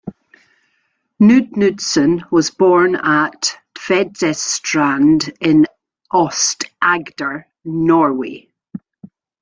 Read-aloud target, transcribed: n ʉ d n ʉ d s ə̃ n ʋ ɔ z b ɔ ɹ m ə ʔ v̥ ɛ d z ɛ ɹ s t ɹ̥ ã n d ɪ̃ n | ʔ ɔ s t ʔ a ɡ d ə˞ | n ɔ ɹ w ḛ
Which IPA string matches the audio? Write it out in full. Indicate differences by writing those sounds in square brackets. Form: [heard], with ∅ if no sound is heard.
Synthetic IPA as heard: n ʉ d n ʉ d s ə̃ n [w] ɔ z b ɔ ɹ [n] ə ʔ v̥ ɛ d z ɛ [∅] s t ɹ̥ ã n d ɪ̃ n | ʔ ɔ s t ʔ a ɡ d ə˞ | n ɔ ɹ w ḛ